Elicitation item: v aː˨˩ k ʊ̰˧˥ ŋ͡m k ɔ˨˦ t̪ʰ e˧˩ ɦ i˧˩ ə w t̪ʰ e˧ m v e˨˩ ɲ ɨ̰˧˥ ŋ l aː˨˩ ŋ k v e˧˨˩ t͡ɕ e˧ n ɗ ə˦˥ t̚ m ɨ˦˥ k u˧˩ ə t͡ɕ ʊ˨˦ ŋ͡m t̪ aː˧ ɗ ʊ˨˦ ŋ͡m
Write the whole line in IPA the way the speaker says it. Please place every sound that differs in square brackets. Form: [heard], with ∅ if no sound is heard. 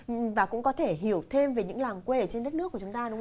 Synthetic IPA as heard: v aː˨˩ k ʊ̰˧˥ ŋ͡m k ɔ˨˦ t̪ʰ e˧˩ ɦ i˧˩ ə w t̪ʰ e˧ m v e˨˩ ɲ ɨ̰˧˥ ŋ l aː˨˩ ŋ k [w] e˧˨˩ t͡ɕ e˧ n ɗ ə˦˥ t̚ [n] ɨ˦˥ k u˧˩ ə t͡ɕ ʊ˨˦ ŋ͡m t̪ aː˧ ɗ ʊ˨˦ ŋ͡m